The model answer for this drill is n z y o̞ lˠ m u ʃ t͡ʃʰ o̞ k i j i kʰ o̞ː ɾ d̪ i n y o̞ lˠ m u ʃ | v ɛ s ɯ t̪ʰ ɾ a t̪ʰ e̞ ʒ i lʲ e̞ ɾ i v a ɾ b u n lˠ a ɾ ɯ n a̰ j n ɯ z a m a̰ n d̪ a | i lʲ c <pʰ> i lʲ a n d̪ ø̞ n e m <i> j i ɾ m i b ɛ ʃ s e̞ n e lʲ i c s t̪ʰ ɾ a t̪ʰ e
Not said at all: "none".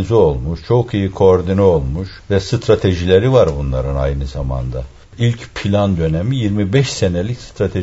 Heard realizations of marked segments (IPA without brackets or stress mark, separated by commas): pʰ, i